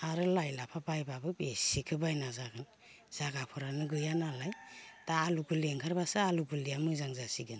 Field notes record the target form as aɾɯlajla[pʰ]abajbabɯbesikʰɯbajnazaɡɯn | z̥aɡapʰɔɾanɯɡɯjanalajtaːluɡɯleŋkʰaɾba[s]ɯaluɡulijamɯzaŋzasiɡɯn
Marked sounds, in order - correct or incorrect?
correct, correct

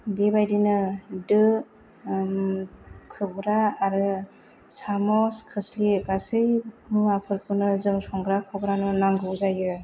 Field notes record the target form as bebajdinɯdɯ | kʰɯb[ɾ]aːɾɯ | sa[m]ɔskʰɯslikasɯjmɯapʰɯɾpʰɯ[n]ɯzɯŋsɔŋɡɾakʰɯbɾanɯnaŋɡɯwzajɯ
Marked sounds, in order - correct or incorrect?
correct, correct, correct

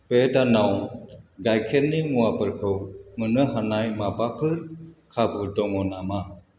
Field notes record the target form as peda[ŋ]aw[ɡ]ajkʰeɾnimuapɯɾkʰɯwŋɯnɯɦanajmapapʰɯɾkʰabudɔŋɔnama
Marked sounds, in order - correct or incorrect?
incorrect: n, correct

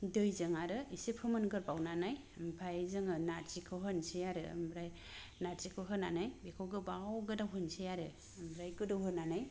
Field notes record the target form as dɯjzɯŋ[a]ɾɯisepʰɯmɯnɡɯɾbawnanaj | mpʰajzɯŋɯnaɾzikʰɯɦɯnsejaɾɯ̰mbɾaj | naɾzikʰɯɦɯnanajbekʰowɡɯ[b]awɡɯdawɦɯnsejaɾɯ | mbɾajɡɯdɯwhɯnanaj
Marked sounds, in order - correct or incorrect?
correct, correct

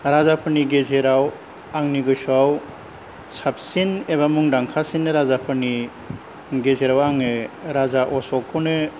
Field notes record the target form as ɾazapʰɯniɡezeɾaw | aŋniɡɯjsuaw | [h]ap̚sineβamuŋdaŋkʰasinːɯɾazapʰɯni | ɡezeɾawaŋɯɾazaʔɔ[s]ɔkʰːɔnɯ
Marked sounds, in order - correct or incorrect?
incorrect: s, correct

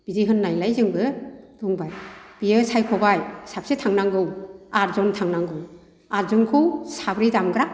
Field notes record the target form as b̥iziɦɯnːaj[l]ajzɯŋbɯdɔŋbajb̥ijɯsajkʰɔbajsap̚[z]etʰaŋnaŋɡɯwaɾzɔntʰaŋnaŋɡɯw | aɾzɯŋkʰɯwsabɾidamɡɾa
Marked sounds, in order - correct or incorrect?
correct, incorrect: s

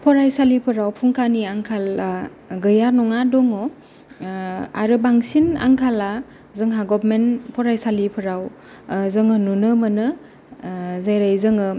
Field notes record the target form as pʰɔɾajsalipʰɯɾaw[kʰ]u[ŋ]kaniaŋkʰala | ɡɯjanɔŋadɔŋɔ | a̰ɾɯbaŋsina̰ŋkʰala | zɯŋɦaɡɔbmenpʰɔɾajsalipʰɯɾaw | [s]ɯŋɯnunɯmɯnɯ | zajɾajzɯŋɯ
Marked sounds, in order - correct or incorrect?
incorrect: pʰ, correct, incorrect: z

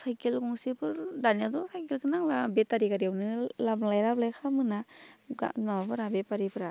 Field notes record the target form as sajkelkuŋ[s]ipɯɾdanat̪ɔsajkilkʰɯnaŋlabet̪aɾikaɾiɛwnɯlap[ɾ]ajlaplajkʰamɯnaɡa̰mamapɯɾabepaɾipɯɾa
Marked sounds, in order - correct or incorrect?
correct, incorrect: l

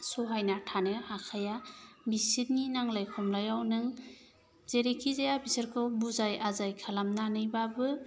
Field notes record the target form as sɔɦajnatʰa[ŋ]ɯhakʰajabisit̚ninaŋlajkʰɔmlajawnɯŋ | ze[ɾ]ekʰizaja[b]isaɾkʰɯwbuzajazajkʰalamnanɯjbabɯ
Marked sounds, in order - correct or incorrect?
incorrect: n, correct, correct

